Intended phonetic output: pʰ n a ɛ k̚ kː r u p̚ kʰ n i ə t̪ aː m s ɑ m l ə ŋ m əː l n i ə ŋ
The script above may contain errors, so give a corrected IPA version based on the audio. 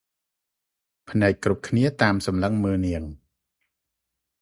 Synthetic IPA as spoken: pʰ n a ɛ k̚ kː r u p̚ kʰ n i ə t̪ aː m s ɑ m l ə ŋ m əː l n i ə ŋ